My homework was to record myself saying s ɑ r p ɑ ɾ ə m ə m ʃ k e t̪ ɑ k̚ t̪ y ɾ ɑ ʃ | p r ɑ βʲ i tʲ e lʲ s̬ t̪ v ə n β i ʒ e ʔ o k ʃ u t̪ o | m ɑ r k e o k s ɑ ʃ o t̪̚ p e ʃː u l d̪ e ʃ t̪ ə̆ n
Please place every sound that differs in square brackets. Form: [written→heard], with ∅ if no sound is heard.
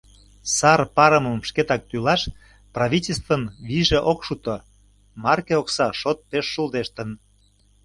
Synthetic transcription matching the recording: s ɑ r p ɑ ɾ ə m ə m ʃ k e t̪ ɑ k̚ t̪ y [ɾ→l] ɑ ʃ | p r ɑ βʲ i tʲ e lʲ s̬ t̪ v ə n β i ʒ e ʔ o k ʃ u t̪ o | m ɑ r k e o k s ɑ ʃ o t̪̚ p e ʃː u l d̪ e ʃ t̪ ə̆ n